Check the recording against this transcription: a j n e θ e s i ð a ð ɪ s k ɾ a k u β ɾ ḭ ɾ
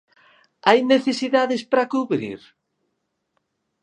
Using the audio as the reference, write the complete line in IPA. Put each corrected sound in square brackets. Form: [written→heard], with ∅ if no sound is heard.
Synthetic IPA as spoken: a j n e θ e s i ð a ð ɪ s [k→p] ɾ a k u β ɾ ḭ ɾ

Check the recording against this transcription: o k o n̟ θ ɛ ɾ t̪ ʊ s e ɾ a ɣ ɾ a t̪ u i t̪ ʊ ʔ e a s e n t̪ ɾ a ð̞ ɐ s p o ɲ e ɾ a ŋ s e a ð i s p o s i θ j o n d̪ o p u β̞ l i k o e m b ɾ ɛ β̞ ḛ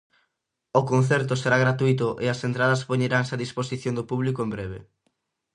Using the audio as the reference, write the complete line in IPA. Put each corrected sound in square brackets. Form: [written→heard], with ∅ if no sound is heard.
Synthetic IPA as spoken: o k o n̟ θ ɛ ɾ t̪ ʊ s e ɾ a ɣ ɾ a t̪ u i t̪ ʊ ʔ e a s e n t̪ ɾ a ð̞ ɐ s p o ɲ e ɾ a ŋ s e a ð i s p o s i θ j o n d̪ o p u β̞ l i k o e m b ɾ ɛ β̞ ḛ

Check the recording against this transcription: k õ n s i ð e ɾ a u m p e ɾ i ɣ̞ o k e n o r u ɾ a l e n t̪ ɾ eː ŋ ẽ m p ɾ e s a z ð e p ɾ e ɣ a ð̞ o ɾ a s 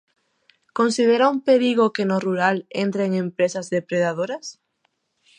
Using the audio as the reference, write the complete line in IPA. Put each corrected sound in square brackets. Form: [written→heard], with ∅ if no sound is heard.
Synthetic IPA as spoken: k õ n s i ð e ɾ a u m p e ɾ i ɣ̞ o k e n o r u ɾ a l e n t̪ ɾ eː ŋ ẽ m p ɾ e s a z ð e p ɾ e [ɣ→ð] a ð̞ o ɾ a s

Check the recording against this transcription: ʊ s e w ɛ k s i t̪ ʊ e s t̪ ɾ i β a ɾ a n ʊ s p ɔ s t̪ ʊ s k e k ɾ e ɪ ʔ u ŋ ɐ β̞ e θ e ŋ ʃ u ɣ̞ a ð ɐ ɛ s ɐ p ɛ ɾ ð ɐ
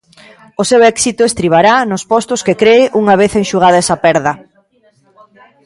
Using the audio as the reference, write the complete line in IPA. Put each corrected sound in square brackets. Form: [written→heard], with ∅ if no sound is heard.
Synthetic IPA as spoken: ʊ s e w ɛ k s i t̪ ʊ e s t̪ ɾ i β a ɾ a n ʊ s p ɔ s t̪ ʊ s k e k ɾ e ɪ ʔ u ŋ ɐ β̞ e θ e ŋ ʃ u ɣ̞ a ð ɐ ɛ s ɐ p ɛ ɾ ð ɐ

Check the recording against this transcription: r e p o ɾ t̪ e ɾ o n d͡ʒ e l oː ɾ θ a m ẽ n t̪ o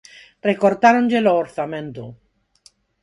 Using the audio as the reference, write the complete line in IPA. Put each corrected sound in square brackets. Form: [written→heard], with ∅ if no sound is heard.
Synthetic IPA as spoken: r e [p→k] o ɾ t̪ [e→a] ɾ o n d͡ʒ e l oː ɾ θ a m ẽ n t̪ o

